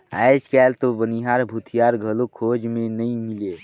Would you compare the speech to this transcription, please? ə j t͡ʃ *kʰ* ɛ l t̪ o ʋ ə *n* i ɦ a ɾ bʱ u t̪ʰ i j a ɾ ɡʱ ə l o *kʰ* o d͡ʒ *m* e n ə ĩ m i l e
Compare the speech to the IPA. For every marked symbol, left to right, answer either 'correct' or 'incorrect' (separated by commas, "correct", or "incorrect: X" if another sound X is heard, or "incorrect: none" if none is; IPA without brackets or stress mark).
incorrect: k, correct, correct, correct